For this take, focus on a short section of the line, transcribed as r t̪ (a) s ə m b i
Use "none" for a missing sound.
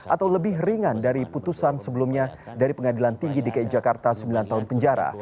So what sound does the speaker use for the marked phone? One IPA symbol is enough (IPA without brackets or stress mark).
a